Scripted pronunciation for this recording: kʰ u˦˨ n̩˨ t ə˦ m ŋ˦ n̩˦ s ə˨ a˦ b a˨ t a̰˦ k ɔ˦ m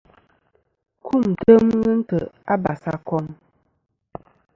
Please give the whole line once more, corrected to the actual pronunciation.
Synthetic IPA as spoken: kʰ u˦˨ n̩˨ t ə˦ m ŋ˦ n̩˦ t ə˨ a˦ b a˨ s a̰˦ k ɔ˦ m

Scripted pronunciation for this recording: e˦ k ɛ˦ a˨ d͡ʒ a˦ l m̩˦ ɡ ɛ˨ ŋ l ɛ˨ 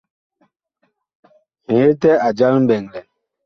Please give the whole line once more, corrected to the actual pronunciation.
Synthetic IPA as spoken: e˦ t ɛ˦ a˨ d͡ʒ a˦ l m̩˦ b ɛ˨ ŋ l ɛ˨

